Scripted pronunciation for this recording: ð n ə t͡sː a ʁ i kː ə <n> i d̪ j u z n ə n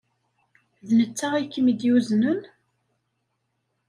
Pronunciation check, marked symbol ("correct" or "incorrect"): incorrect